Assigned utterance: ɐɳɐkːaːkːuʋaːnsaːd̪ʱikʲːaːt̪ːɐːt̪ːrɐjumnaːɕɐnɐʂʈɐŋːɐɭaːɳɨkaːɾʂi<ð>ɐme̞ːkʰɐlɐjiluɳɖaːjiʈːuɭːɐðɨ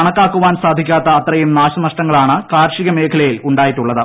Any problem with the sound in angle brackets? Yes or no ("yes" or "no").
yes